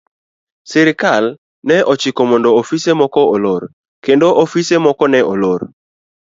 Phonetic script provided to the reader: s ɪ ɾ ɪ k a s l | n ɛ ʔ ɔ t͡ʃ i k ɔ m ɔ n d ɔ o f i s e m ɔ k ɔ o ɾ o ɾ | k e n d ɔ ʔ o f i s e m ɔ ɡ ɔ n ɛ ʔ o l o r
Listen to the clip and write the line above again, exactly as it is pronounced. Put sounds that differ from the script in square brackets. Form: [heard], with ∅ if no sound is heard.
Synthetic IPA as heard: s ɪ ɾ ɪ k a [∅] l | n ɛ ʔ ɔ t͡ʃ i k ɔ m ɔ n d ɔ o f i s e m ɔ k ɔ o [l] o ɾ | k e n d [o] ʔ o f i s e m ɔ [k] ɔ n ɛ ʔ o l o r